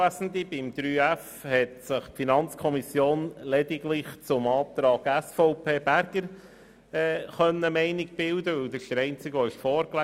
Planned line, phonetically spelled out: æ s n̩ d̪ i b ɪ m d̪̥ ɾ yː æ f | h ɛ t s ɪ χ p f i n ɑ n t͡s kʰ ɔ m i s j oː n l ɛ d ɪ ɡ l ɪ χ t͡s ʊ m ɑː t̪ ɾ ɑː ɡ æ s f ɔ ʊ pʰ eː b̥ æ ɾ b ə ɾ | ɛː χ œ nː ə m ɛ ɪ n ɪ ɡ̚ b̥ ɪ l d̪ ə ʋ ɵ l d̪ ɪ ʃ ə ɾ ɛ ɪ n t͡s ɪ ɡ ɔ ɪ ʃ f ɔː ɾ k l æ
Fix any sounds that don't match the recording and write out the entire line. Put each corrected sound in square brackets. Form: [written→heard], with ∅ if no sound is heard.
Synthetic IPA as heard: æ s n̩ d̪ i b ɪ m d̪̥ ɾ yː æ f | h ɛ t s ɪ χ p f i n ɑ n t͡s kʰ ɔ m i s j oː n l ɛ d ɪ ɡ l ɪ χ t͡s ʊ m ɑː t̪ ɾ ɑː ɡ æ s f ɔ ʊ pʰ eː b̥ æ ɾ [b→ɡ] ə ɾ | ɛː χ œ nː ə m ɛ ɪ n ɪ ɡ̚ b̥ ɪ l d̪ ə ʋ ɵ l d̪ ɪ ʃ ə ɾ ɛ ɪ n t͡s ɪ ɡ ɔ ɪ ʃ f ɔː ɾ k l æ